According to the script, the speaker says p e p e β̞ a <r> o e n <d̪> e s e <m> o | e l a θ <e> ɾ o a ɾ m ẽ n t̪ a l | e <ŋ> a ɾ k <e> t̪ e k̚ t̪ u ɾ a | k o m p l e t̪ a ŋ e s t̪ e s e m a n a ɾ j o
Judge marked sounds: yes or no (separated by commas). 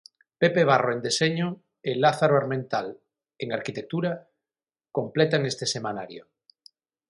yes, yes, no, no, yes, no